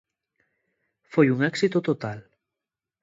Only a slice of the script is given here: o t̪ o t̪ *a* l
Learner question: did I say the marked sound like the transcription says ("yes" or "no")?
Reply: yes